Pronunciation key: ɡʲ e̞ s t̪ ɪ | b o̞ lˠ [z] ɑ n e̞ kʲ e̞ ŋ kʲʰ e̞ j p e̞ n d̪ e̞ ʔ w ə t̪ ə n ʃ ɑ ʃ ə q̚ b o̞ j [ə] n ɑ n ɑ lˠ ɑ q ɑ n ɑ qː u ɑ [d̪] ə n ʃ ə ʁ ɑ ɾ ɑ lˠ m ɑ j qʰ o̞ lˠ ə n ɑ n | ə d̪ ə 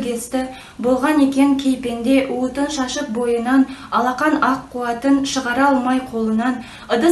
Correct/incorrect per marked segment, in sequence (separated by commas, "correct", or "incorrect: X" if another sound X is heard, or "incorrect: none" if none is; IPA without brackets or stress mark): incorrect: ʁ, correct, incorrect: t̪